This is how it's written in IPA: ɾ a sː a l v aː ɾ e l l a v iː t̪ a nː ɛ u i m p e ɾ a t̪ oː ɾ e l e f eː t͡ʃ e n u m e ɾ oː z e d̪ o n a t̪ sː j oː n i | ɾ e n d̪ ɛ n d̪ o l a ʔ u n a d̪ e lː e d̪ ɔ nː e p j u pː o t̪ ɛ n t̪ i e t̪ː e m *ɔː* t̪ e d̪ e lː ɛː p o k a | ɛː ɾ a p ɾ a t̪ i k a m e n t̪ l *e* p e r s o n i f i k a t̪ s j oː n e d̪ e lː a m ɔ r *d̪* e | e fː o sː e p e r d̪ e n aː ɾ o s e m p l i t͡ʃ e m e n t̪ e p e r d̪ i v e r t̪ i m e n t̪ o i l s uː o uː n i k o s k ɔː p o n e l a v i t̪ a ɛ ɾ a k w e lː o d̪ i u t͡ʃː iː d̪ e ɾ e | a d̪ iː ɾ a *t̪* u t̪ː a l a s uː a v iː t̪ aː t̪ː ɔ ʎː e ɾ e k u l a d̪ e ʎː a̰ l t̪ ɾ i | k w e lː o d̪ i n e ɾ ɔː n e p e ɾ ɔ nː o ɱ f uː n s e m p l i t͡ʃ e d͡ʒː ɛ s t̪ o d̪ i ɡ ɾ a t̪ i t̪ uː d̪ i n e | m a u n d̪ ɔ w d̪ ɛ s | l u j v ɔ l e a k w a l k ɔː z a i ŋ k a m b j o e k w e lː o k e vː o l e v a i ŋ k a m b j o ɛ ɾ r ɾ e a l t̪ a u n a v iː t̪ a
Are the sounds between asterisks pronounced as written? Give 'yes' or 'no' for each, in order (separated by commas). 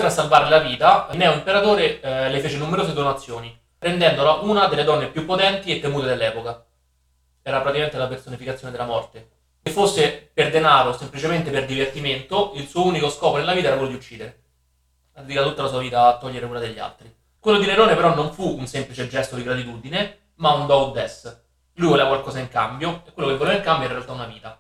no, no, no, yes